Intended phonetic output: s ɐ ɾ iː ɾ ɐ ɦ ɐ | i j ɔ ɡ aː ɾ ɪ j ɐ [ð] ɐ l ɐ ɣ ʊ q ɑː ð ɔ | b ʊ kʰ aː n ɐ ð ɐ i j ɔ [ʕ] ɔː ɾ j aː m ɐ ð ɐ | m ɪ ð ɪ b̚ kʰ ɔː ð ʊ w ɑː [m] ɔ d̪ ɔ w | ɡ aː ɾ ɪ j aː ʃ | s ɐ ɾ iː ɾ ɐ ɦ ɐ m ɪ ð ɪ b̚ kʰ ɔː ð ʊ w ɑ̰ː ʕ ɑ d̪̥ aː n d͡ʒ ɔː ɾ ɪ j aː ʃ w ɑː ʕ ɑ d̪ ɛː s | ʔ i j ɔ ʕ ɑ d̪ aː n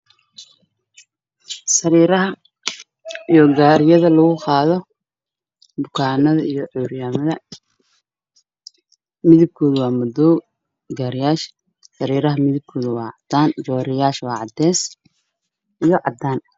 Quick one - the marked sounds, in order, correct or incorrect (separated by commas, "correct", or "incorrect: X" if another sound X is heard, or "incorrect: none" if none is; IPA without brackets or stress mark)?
correct, correct, correct